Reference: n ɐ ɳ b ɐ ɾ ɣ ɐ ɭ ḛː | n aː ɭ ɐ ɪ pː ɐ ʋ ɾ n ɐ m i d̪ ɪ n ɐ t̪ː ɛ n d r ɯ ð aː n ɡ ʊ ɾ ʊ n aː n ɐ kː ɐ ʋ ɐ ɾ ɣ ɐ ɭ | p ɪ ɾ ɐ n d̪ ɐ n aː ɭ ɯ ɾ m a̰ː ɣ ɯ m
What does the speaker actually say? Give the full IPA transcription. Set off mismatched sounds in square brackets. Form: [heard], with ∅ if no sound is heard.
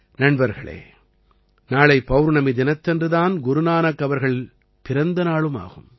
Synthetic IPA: n ɐ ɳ b ɐ ɾ ɣ ɐ ɭ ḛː | n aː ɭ ɐ ɪ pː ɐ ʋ ɾ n ɐ m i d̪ ɪ n ɐ t̪ː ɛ n d r ɯ ð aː n ɡ ʊ ɾ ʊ n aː n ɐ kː ɐ ʋ ɐ ɾ ɣ ɐ ɭ | p ɪ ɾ ɐ n d̪ ɐ n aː ɭ ɯ [∅] m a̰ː ɣ ɯ m